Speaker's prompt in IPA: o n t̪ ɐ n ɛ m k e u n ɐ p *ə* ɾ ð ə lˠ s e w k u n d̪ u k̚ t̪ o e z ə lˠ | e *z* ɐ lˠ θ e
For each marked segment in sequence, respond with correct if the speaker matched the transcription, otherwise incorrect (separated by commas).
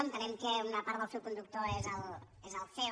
incorrect, correct